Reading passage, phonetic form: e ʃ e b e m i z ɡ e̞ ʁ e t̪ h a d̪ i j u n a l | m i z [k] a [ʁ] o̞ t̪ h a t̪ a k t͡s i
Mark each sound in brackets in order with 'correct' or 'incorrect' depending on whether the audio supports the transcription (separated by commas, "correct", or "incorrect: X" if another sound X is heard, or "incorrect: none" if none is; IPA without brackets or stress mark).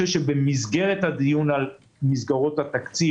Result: incorrect: ɡ, correct